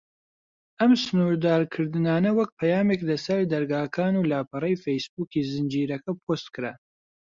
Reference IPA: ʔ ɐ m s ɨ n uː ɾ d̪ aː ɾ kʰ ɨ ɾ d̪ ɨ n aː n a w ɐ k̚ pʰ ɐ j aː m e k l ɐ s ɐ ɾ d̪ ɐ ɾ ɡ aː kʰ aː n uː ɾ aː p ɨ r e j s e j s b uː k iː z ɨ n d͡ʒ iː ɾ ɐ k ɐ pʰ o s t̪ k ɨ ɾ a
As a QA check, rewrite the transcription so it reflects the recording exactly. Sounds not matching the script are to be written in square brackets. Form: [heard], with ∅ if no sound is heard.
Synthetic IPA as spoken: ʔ ɐ m s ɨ n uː ɾ d̪ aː ɾ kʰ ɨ ɾ d̪ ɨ n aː n [ɐ] w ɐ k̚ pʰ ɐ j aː m e k l ɐ s ɐ ɾ d̪ ɐ ɾ ɡ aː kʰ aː n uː [l] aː p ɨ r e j [f] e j s b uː k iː z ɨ n d͡ʒ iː ɾ ɐ k ɐ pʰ o s t̪ k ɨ ɾ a